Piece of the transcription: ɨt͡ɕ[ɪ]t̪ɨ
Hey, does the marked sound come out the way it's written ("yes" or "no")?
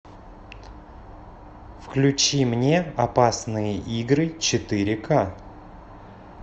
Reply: yes